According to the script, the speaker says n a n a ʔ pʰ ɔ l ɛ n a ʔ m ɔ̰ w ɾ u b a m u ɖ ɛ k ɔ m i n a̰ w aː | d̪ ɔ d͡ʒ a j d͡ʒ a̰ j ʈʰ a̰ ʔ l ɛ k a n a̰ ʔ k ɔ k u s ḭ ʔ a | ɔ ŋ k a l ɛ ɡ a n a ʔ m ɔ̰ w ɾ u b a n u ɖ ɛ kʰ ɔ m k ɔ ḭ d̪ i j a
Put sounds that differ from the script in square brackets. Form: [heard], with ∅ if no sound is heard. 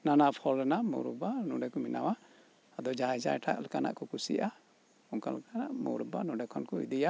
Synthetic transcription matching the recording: n a n a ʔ pʰ ɔ l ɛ n a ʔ m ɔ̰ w ɾ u b a [n] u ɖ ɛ k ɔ m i n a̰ w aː | d̪ ɔ d͡ʒ a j d͡ʒ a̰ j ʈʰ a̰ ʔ l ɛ k a n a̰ ʔ k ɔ k u s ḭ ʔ a | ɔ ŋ k a l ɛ [k] a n a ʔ m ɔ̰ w ɾ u b a n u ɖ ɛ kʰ ɔ [n] k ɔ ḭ d̪ i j a